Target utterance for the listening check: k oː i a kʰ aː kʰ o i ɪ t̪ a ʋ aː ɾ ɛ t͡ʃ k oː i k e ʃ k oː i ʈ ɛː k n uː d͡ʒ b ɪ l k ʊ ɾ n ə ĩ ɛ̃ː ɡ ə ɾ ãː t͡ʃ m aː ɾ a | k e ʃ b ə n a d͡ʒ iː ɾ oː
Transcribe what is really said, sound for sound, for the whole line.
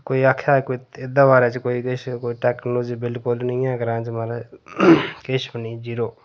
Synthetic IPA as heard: k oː i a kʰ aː k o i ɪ d̪ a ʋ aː ɾ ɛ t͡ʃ k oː i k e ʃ k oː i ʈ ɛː k n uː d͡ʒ b ɪ l k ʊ l n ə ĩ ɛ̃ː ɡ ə ɾ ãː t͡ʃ m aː ɾ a | k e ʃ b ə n i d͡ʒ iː ɾ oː